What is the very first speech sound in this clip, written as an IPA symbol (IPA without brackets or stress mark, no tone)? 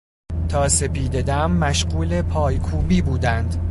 t̪ʰ